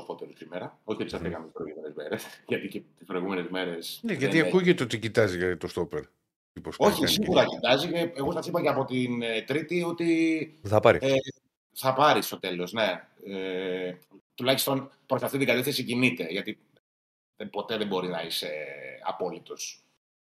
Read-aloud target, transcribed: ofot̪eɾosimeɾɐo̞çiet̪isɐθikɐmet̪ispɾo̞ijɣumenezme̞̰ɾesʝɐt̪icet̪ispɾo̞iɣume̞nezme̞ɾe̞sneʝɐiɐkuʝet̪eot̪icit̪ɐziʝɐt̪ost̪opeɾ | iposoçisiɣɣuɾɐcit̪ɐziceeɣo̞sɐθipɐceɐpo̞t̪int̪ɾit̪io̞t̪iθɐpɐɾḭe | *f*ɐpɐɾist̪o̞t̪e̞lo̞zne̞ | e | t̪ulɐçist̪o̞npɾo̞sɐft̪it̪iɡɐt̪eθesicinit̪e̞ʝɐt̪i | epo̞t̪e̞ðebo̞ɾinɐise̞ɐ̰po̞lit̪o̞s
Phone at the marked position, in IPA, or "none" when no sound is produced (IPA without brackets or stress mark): θ